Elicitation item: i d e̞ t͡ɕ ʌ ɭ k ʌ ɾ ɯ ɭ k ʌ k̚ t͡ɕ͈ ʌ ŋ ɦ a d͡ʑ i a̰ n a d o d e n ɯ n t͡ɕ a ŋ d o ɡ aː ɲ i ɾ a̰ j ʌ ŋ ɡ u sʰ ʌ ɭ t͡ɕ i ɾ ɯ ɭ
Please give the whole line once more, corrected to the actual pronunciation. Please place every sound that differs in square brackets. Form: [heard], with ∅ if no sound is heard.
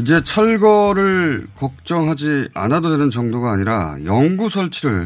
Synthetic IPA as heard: i [d͡ʑ] e̞ [t͡ɕʰ] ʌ ɭ [ɡ] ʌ ɾ ɯ ɭ k ʌ k̚ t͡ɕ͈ ʌ ŋ ɦ a d͡ʑ i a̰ n a d o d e n ɯ n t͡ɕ [ʌ] ŋ d o ɡ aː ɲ i ɾ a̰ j ʌ ŋ ɡ u sʰ ʌ ɭ [t͡ɕʰ] i ɾ ɯ ɭ